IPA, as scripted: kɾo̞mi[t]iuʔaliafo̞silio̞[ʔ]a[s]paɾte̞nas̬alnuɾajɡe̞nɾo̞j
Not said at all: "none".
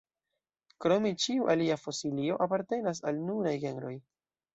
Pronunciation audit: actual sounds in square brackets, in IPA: t͡ʃ, ʔ, none

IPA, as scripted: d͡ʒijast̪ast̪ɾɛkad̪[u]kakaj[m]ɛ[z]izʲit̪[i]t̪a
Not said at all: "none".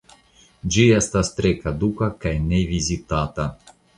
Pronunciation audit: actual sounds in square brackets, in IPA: u, n, v, a

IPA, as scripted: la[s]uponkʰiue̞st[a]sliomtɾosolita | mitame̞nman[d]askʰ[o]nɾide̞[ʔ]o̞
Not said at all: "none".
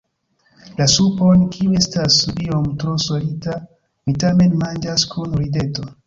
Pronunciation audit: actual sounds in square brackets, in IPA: s, a, d͡ʒ, u, t

